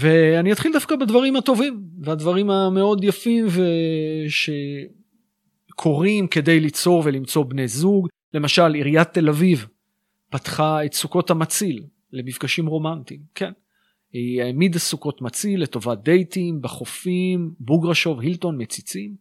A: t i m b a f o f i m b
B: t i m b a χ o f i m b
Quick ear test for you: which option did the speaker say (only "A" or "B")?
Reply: B